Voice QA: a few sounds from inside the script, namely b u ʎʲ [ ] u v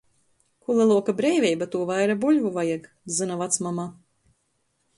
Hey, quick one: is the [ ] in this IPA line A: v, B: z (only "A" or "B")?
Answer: A